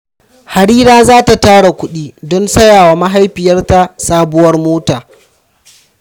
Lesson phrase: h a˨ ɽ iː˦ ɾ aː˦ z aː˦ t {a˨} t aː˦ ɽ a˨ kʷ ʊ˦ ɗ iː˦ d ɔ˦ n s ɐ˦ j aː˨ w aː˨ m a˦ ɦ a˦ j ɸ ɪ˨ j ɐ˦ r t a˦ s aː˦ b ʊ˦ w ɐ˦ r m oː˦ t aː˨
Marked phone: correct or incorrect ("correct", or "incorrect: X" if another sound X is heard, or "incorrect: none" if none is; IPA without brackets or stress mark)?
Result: correct